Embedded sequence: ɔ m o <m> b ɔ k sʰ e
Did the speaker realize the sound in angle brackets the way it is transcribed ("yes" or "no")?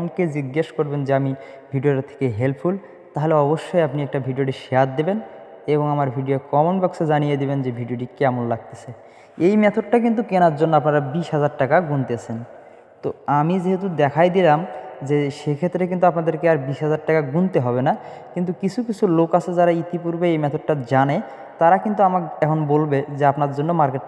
no